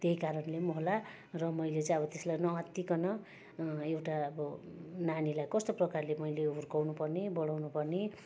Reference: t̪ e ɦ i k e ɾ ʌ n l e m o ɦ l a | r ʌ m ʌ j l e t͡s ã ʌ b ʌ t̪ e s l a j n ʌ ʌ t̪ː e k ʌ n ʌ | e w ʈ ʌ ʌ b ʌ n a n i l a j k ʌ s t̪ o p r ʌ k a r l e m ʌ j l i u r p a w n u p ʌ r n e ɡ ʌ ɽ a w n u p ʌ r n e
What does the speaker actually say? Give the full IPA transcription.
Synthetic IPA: t̪ e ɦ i k a ɾ ʌ n l e m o ɦ l a | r ʌ m ʌ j l e t͡s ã ʌ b ʌ t̪ e s l a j n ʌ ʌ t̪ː i k ʌ n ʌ | e w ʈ a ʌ b ʌ n a n i l a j k ʌ s t̪ o p r ʌ k a r l e m ʌ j l e u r k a w n u p ʌ r n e b ʌ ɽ a w n u p ʌ r n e

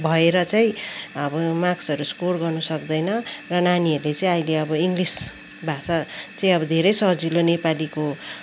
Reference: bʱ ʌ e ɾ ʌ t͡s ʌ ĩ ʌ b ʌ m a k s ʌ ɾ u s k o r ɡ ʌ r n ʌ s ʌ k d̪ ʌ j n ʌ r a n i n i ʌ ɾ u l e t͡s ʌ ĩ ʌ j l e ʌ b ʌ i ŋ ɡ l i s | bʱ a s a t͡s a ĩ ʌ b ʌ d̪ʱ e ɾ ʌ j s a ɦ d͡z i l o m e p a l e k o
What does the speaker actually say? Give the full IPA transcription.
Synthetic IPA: bʱ ʌ e ɾ ʌ t͡s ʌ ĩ ʌ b ʌ m a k s ʌ ɾ u s k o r ɡ ʌ r n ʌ s ʌ k d̪ ʌ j n ʌ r ʌ n a n i ʌ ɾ u l e t͡s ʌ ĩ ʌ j l e ʌ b ʌ i ŋ ɡ l i s | bʱ a s a t͡s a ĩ ʌ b ʌ d̪ʱ e ɾ ʌ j s ʌ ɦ d͡z i l o n e p a l i k o

